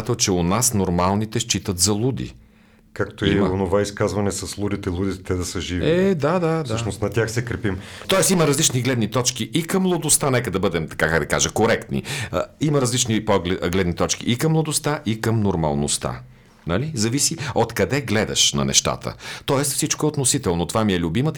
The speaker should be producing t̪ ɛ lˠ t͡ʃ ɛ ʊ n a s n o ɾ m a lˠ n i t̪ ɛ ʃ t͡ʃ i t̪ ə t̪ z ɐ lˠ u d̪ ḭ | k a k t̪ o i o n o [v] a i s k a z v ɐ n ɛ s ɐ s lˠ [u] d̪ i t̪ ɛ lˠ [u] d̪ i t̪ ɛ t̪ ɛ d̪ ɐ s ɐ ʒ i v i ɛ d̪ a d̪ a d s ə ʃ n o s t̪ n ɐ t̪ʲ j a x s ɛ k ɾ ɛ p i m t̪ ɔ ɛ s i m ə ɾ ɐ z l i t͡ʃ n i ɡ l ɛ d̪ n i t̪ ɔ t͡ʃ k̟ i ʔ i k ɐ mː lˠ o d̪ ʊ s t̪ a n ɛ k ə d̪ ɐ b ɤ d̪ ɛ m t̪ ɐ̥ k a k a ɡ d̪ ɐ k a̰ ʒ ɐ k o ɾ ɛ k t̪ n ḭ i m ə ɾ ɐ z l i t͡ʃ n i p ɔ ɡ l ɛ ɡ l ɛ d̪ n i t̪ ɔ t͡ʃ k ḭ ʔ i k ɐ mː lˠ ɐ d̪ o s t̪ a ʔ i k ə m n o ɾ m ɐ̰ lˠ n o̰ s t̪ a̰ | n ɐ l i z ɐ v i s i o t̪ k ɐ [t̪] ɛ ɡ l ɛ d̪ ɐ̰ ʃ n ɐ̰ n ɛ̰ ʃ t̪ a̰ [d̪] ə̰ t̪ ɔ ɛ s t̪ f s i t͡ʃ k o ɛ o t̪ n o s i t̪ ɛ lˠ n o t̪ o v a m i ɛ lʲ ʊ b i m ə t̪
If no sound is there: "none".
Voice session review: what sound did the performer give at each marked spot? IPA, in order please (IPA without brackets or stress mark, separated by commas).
v, u, u, d̪, t̪